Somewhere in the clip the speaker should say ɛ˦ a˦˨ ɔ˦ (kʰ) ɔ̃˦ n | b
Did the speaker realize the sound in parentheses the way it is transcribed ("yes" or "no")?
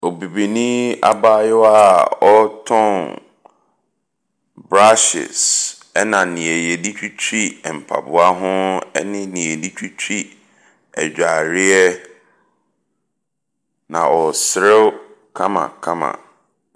no